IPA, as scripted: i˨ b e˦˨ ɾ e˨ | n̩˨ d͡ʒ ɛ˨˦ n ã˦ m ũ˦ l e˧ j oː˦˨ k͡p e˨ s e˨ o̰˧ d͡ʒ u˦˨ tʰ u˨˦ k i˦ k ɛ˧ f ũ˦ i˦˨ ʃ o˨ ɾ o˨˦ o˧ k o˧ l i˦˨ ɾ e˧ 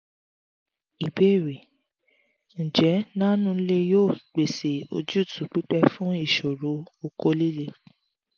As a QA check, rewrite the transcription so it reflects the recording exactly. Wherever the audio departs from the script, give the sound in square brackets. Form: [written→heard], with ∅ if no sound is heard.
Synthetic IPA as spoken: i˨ b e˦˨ ɾ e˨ | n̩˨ d͡ʒ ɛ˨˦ n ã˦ [m→n] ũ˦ l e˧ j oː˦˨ k͡p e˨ s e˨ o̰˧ d͡ʒ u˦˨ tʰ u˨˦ [k→k͡p] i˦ [k→k͡p] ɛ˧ f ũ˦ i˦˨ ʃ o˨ ɾ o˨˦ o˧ k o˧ l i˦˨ [ɾ→l] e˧